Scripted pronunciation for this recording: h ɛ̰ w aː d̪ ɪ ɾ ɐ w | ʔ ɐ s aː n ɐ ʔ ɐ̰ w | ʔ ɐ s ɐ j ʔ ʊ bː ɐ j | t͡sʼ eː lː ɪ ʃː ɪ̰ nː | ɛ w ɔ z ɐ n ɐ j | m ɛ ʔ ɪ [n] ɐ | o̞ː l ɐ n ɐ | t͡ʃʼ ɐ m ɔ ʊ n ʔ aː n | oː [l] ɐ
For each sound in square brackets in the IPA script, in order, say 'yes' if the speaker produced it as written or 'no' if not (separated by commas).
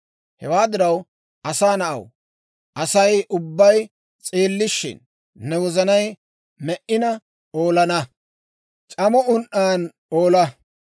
yes, yes